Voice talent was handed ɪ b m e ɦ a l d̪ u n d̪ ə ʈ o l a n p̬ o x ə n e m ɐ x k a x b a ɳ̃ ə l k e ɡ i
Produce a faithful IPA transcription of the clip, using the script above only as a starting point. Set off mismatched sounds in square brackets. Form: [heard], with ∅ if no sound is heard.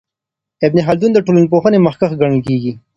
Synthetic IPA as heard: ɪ b [n] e ɦ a l d̪ u n d̪ ə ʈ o l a n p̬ o x ə n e m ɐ x k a x [ɡ] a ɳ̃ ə l k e ɡ i

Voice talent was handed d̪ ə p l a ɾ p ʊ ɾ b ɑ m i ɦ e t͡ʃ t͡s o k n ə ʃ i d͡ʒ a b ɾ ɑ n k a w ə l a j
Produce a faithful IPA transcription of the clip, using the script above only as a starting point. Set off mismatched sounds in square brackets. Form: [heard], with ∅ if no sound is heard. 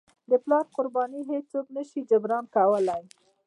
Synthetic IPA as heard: d̪ ə p l [ɑ] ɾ [q] ʊ ɾ b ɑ [n] i ɦ e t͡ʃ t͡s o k n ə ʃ i d͡ʒ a b ɾ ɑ n k a w ə l a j

